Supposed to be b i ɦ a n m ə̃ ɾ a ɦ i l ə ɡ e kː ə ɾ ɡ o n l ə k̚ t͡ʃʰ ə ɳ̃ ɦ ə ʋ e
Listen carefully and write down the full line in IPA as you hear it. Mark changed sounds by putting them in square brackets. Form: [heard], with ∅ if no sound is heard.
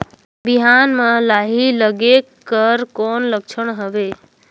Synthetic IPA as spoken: b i ɦ a n m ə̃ [l] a ɦ i l ə ɡ e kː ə ɾ [k] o n l ə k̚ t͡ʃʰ ə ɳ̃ ɦ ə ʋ e

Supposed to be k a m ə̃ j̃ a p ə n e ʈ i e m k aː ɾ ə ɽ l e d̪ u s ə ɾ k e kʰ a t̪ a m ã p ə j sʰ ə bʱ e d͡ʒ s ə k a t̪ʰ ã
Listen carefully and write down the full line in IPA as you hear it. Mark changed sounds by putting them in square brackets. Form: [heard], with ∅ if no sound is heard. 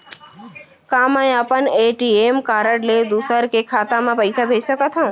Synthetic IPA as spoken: k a m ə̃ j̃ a p ə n e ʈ i e m k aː ɾ ə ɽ l e d̪ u s ə ɾ k e kʰ a t̪ a m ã p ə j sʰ [a] bʱ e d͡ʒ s ə k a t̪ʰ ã

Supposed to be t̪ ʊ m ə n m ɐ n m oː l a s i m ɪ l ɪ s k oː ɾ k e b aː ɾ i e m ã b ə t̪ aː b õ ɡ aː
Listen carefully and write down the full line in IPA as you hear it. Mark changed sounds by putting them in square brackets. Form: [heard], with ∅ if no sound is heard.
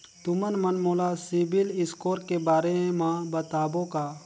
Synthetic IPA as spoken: t̪ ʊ m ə n m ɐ n m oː l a s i [b] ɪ l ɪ s k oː ɾ k e b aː ɾ [e] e m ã b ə t̪ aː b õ [k] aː

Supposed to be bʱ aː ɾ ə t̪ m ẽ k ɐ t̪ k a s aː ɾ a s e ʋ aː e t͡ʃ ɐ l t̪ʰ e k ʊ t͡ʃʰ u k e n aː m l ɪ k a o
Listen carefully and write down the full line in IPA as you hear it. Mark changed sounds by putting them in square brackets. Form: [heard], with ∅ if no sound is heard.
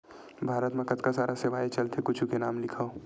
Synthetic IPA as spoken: bʱ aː ɾ ə t̪ m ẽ k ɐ t̪ k a s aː ɾ a s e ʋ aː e t͡ʃ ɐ l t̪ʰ e k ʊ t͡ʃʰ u k e n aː m l ɪ [kʰ] a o

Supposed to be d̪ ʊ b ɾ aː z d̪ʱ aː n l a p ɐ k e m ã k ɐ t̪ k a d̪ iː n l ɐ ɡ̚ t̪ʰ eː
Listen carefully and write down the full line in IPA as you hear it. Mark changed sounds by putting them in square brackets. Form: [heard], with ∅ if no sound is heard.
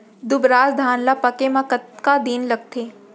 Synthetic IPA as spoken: d̪ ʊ b ɾ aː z d̪ʱ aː n l a p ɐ k e m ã k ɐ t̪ k a d̪ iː n l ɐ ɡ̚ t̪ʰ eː

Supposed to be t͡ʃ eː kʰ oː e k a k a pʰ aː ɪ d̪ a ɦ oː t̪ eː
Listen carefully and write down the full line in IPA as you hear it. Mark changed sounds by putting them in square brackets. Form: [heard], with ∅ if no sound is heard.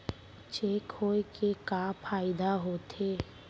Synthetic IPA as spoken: t͡ʃ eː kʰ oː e k [e] k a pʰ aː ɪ d̪ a ɦ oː t̪ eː

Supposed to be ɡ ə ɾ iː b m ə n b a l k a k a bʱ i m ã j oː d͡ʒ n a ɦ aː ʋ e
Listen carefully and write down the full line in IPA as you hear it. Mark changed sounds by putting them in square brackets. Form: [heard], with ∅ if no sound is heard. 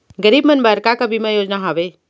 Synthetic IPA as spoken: ɡ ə ɾ iː b m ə n b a [ɾ] k a k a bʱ i m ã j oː d͡ʒ n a ɦ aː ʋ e

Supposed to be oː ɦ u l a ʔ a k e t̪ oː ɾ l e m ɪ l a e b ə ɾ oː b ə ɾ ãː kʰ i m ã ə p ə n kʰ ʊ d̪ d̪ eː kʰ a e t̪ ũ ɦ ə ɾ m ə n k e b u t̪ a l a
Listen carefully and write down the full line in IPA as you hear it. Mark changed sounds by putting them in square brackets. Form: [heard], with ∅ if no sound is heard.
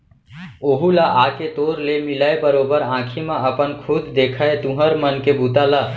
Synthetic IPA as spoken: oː ɦ u l a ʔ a k e t̪ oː ɾ l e m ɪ l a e b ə ɾ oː b ə ɾ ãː kʰ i m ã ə p ə n kʰ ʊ d̪ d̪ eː kʰ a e t̪ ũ ɦ ə ɾ m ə n k e b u t̪ a l a

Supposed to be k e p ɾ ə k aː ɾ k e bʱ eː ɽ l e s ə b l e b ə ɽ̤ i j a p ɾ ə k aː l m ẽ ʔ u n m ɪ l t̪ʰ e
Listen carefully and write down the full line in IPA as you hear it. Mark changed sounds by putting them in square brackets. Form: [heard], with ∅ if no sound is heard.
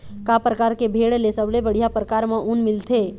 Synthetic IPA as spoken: k [a] p ɾ ə k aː ɾ k e bʱ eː ɽ l e s ə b l e b ə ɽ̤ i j a p ɾ ə k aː [ɾ] m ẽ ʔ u n m ɪ l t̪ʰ e

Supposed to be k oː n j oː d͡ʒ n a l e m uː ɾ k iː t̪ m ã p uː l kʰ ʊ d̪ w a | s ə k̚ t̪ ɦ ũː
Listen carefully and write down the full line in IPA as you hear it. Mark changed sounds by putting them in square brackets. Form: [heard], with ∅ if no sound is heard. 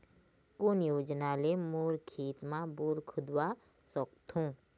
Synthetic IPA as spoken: k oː n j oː d͡ʒ n a l e m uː ɾ [kʰ] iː t̪ m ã [b] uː [ɾ] kʰ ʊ d̪ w a | s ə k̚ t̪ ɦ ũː

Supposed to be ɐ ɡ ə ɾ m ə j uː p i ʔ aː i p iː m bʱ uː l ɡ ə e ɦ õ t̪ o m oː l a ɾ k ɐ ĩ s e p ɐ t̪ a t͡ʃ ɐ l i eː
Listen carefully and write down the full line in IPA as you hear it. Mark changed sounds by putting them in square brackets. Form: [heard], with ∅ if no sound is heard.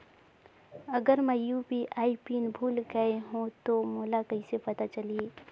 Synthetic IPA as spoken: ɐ ɡ ə ɾ m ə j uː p i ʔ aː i p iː [n] bʱ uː l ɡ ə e ɦ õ t̪ o m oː l a [∅] k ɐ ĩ s e p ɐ t̪ a t͡ʃ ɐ l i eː

